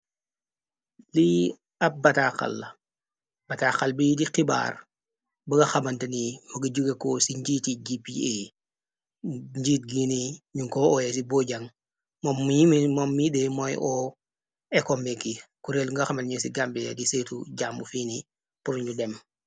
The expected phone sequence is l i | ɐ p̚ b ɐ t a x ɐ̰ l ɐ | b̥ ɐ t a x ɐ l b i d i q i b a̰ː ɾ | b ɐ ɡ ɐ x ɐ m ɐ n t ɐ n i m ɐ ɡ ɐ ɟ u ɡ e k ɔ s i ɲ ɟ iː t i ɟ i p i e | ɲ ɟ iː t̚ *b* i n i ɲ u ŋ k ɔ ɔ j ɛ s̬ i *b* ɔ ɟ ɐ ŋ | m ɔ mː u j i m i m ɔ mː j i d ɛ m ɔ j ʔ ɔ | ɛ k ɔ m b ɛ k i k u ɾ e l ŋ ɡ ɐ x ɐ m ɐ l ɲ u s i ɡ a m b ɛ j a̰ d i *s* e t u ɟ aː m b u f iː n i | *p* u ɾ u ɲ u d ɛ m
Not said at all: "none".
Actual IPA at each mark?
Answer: ɡ, b, s, p

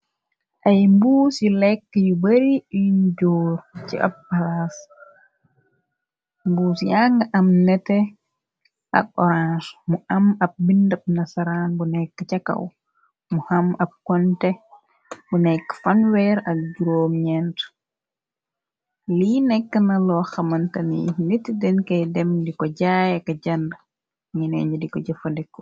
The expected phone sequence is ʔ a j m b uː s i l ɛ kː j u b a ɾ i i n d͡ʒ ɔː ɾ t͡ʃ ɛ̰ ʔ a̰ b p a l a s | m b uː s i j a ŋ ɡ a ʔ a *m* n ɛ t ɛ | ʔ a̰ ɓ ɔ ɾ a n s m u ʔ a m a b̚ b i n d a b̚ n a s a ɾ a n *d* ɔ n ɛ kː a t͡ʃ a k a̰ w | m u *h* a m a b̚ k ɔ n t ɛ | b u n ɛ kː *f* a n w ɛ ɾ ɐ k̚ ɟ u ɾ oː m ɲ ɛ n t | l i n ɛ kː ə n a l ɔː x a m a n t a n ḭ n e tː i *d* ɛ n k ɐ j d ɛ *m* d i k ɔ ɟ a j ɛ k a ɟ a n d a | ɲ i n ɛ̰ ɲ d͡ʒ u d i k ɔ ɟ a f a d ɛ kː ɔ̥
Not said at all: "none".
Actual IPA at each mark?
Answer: m, b, h, f, d, m

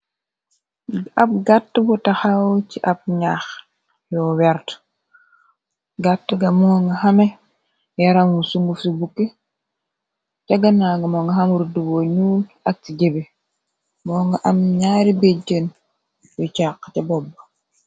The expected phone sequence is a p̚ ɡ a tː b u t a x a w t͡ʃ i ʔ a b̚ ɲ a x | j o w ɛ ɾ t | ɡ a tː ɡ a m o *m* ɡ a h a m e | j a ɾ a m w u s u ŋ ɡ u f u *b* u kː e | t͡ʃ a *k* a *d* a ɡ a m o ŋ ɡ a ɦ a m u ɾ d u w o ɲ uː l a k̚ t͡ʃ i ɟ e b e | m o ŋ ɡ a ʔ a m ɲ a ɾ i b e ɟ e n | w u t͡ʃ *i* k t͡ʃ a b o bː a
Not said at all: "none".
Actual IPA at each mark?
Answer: ŋ, b, ɡ, n, a

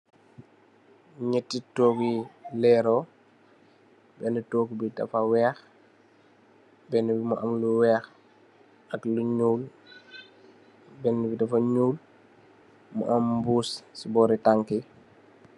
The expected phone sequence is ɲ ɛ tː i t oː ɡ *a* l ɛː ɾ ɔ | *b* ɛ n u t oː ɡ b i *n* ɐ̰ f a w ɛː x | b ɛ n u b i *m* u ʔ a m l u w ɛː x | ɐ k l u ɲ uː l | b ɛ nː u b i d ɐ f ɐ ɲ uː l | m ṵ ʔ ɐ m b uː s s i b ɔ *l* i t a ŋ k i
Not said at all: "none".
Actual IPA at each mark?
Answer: i, b, d, m, ɾ

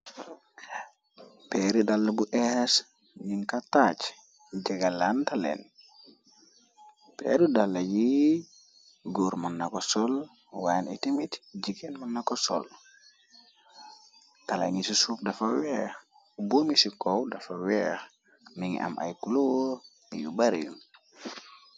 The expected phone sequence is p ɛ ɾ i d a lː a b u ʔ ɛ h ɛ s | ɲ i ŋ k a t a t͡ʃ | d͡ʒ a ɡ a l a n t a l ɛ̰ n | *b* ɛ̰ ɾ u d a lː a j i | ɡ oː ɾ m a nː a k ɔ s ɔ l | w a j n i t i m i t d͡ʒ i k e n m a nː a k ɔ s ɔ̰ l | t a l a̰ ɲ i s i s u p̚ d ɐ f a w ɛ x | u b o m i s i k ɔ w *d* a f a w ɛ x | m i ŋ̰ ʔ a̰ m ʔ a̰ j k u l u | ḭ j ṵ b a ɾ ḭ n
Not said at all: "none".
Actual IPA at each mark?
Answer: p, d

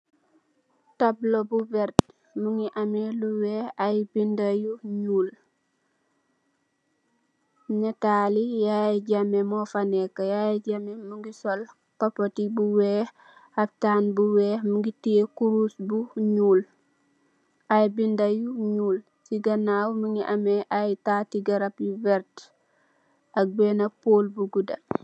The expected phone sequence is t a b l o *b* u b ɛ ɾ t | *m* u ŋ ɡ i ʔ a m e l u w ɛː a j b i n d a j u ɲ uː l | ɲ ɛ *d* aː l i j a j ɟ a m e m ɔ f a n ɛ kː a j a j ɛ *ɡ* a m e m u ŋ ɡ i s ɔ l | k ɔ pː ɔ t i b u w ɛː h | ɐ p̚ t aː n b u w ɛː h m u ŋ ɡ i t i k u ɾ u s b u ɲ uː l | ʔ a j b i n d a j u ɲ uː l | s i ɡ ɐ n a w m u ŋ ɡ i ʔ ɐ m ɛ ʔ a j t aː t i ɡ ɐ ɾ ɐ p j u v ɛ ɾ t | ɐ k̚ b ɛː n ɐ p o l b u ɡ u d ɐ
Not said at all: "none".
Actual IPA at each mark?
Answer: b, m, t, ɟ

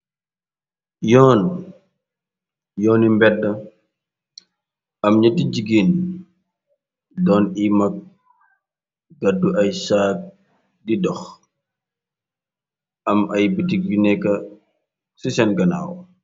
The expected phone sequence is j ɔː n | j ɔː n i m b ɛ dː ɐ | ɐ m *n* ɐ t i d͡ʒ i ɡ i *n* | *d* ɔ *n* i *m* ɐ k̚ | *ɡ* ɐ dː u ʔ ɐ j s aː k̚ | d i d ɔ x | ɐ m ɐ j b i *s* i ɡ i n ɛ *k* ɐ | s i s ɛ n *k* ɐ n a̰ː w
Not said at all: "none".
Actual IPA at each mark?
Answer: ɲ, n, d, n, m, ɡ, t, k, ɡ

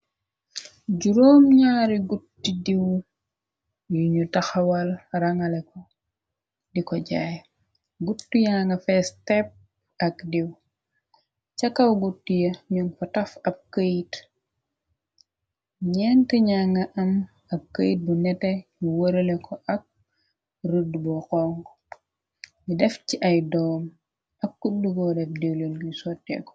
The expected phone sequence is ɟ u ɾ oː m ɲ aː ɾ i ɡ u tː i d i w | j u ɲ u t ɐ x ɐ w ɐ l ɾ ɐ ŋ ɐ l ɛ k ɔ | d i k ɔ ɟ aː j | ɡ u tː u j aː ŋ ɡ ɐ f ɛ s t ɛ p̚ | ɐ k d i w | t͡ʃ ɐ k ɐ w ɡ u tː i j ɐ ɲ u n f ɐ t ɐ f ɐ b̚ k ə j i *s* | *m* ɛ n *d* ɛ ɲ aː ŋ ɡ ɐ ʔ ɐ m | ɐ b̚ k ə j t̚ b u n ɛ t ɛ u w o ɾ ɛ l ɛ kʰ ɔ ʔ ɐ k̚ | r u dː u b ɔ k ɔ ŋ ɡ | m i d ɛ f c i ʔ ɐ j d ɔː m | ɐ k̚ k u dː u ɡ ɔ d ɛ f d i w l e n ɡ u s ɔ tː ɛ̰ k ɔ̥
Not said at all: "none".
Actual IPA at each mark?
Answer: t, ɲ, t

